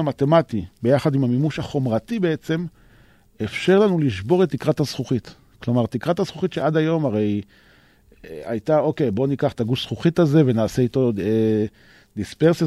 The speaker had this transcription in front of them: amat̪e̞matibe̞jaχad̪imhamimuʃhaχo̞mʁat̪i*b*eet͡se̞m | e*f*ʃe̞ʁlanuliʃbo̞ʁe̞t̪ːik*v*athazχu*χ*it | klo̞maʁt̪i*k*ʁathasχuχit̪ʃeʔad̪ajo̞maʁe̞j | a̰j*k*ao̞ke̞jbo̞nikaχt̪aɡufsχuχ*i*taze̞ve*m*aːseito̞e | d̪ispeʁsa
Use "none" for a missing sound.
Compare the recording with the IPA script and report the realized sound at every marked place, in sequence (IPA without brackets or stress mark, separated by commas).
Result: b, f, ʁ, χ, k, t, i, n